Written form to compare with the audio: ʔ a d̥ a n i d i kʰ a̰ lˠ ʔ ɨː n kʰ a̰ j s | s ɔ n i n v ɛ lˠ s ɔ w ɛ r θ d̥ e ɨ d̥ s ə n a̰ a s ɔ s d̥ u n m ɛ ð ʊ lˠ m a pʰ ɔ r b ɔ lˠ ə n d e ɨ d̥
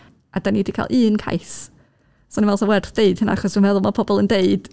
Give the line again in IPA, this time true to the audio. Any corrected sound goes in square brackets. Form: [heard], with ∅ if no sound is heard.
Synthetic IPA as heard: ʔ a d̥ a n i d i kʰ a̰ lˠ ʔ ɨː n kʰ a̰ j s | s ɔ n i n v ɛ lˠ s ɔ w ɛ r θ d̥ e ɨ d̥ [h] ə n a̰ a [χ] ɔ s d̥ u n m ɛ ð ʊ lˠ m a pʰ ɔ [∅] b ɔ lˠ ə n d e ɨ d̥